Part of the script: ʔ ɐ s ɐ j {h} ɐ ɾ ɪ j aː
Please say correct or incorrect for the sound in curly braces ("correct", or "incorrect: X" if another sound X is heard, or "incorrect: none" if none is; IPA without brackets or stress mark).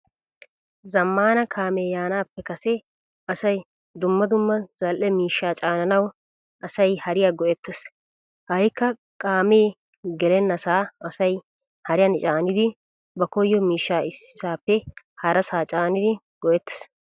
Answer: correct